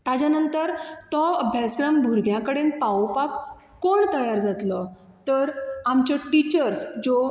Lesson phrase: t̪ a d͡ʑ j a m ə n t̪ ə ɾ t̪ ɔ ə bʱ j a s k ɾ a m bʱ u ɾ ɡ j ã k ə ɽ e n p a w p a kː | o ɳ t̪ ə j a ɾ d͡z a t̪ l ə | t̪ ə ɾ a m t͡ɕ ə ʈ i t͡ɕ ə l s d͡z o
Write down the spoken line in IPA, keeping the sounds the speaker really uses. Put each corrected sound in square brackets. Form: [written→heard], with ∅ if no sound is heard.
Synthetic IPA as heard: t̪ a d͡ʑ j a [m→n] ə n t̪ ə ɾ t̪ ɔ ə bʱ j a s k ɾ a m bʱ u ɾ ɡ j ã k ə ɽ e n p a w p a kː | o ɳ t̪ ə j a ɾ d͡z a t̪ l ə | t̪ ə ɾ a m t͡ɕ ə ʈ i t͡ɕ ə [l→ɾ] s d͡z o